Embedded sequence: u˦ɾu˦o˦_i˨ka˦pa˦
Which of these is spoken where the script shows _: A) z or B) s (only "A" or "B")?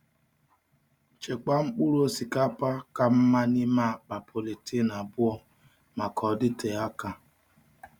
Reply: B